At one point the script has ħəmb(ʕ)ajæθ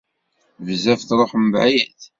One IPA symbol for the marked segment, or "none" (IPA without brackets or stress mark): ʕ